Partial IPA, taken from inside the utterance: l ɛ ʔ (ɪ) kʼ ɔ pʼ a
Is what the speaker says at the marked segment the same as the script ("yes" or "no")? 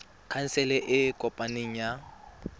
yes